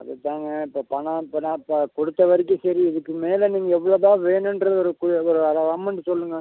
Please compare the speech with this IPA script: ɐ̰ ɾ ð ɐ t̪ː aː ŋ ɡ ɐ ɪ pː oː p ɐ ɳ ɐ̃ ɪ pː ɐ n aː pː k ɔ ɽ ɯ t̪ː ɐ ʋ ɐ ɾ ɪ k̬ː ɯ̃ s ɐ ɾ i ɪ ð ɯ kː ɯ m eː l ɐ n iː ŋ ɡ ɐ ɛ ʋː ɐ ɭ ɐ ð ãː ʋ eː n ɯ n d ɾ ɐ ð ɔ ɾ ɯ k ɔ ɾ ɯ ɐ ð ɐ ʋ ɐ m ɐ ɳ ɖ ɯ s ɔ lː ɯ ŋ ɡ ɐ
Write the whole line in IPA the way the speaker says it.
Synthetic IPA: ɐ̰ ð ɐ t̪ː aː ŋ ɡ ɐ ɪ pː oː p ɐ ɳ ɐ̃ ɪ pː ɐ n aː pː k ɔ ɽ ɯ t̪ː ɐ ʋ ɐ ɾ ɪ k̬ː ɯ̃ s ɐ ɾ i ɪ ð ɯ kː ɯ m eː l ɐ n iː ŋ ɡ ɐ ɛ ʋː ɐ ɭ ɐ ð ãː ʋ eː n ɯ n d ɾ ɐ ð ɔ ɾ ɯ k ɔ ɾ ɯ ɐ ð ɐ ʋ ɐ m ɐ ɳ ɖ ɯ s ɔ lː ɯ ŋ ɡ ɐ

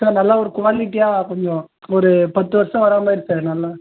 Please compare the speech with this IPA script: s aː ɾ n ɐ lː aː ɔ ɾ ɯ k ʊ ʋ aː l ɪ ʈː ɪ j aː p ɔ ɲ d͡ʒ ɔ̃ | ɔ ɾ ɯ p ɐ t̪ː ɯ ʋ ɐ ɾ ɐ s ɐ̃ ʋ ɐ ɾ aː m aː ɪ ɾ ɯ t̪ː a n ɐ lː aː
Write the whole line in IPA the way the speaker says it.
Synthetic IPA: s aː ɾ n ɐ lː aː ɔ ɾ ɯ k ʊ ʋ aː l ɪ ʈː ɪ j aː k ɔ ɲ d͡ʒ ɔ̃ | ɔ ɾ ɯ p ɐ t̪ː ɯ ʋ ɐ ɾ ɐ s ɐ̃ ʋ ɐ ɾ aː m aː ɪ ɾ ɯ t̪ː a n ɐ lː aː

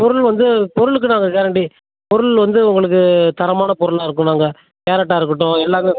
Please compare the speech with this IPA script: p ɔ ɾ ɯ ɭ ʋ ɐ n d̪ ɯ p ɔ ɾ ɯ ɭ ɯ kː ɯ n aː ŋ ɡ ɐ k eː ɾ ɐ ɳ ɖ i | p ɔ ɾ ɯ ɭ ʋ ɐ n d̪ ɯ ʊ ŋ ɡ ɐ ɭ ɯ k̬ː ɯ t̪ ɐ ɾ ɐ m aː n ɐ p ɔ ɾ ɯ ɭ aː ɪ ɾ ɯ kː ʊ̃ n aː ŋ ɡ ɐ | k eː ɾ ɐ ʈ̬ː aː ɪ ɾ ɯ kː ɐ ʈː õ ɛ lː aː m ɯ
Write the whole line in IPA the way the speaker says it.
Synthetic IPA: p ɔ ɾ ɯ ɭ ʋ ɐ n d̪ ɯ p ɔ ɾ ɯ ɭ ɯ kː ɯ n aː ŋ ɡ ɐ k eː ɾ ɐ ɳ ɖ i | p ɔ ɾ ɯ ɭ ʋ ɐ n d̪ ɯ ʊ ŋ ɡ ɐ ɭ ɯ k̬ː ɯ t̪ ɐ ɾ ɐ m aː n ɐ p ɔ ɾ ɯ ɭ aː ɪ ɾ ɯ kː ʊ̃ n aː ŋ ɡ ɐ | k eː ɾ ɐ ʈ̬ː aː ɪ ɾ ɯ kː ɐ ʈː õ ɛ lː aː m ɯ

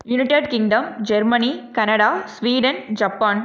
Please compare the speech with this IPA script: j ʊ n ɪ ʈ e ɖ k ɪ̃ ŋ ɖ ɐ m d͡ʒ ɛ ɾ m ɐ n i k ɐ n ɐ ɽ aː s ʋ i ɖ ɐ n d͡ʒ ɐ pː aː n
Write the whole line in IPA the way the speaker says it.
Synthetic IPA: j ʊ n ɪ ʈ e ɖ k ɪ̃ ŋ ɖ ɐ m d͡ʒ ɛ ɾ m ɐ n i k ɐ n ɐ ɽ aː s ʋ iː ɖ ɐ n d͡ʒ ɐ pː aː n

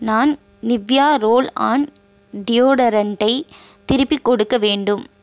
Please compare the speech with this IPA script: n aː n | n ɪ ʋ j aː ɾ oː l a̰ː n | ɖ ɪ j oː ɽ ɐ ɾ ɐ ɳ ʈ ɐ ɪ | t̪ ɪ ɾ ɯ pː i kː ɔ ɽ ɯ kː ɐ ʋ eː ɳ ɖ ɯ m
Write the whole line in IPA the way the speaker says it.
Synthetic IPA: n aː n | n ɪ ʋ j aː ɾ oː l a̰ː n | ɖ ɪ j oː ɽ ɐ ɾ ɐ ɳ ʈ ɐ ɪ | t̪ ɪ ɾ ɯ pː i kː ɔ ɽ ɯ kː ɐ ʋ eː ɳ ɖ ɯ m

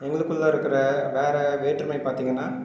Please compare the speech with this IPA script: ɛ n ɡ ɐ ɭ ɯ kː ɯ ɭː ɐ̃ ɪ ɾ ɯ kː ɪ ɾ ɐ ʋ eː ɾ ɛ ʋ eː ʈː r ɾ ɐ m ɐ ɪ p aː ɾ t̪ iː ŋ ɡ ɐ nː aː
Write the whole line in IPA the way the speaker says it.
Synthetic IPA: ɛ ŋ ɡ ɐ ɭ ɯ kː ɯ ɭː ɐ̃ ɪ ɾ ɯ kː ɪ ɾ ɐ ʋ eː ɾ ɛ ʋ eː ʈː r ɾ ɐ m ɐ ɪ p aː ɾ t̪ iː ŋ ɡ ɐ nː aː

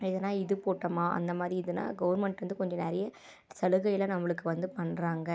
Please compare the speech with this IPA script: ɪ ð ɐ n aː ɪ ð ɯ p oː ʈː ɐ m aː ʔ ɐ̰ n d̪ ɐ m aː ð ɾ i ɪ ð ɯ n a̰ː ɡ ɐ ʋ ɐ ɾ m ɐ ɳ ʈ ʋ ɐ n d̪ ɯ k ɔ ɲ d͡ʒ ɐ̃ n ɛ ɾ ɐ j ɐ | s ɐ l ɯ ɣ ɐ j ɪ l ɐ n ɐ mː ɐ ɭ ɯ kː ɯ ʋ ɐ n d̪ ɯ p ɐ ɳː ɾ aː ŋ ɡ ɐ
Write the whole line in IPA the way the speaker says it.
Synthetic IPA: ɪ ð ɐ n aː ɪ ð ɯ p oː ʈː ɐ m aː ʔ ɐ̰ n d̪ ɐ m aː ð ɾ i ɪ ð ɯ n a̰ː ɡ ɐ ʋ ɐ ɾ m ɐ ɳ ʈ ʋ ɐ n d̪ ɯ k ɔ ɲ d͡ʒ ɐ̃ n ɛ ɾ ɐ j ɐ | s ɐ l ɯ ɣ ɐ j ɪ l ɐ n ɐ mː ɐ ɭ ɯ kː ɯ ʋ ɐ n d̪ ɯ p ɐ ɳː ɾ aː ŋ ɡ ɐ

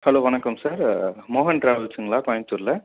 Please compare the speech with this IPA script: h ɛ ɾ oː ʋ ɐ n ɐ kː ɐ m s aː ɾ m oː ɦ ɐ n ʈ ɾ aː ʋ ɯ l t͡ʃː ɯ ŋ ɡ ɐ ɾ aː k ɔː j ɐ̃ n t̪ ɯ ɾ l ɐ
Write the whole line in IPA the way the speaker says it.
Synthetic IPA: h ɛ l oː ʋ ɐ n ɐ kː ɐ m s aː ɾ m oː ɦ ɐ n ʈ ɾ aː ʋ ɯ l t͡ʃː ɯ ŋ ɡ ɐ ɭ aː k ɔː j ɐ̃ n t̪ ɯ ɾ l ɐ

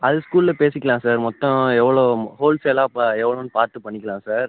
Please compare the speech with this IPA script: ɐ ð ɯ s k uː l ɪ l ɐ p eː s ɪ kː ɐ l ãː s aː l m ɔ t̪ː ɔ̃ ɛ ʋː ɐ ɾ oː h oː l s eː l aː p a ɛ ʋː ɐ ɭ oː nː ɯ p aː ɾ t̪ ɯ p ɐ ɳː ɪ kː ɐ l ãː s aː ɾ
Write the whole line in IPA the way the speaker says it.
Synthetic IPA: ɐ ð ɯ s k uː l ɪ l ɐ p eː s ɪ kː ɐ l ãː s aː ɾ m ɔ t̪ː ɔ̃ ɛ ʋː ɐ ɭ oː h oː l s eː l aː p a ɛ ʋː ɐ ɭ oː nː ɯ p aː ɾ t̪ ɯ p ɐ ɳː ɪ kː ɐ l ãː s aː ɾ

